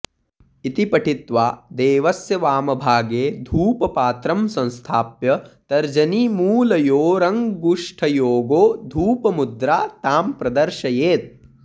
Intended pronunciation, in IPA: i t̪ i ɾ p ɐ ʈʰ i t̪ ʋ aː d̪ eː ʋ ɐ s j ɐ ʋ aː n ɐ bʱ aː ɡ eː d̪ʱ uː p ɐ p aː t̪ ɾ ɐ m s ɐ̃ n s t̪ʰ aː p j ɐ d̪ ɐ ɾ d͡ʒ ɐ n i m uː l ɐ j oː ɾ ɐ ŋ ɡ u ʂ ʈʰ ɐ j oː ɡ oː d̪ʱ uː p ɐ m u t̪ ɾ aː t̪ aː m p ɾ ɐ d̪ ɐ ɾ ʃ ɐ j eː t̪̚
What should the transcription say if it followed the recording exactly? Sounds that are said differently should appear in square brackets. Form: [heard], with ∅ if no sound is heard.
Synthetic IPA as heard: i t̪ i [∅] p ɐ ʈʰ i t̪ ʋ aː d̪ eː ʋ ɐ s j ɐ ʋ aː [m] ɐ bʱ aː ɡ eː d̪ʱ uː p ɐ p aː t̪ ɾ ɐ m s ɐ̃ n s t̪ʰ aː p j ɐ [t̪] ɐ ɾ d͡ʒ ɐ n i m uː l ɐ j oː ɾ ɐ ŋ ɡ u ʂ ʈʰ ɐ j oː ɡ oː d̪ʱ uː p ɐ m u [d̪] ɾ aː t̪ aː m p ɾ ɐ d̪ ɐ ɾ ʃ ɐ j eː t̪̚